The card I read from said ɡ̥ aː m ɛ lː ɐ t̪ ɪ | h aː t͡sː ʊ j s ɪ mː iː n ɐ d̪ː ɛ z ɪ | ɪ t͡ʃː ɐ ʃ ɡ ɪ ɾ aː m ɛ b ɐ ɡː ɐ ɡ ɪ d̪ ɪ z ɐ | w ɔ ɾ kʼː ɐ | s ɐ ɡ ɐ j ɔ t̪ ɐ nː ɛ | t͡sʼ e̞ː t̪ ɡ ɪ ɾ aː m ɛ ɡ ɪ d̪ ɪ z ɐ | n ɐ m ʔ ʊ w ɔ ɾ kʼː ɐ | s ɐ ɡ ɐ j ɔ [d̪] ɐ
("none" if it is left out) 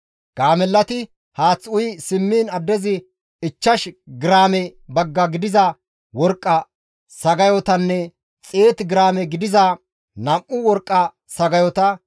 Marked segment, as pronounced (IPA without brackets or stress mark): t̪